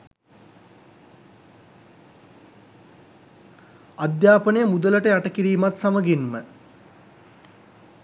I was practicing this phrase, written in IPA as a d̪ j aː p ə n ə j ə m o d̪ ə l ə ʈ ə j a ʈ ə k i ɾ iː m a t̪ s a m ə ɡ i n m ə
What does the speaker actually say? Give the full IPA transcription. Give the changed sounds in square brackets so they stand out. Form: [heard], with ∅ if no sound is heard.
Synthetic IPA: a d̪ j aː p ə n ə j ə m [u] d̪ ə l ə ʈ ə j a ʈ ə k i ɾ iː m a t̪ s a m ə ɡ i n m ə